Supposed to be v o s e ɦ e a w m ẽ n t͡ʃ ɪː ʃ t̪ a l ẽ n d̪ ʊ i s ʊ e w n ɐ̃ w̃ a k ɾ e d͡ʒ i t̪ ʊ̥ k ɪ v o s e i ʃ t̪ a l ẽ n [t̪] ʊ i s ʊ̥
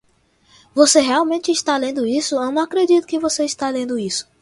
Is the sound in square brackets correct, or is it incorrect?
incorrect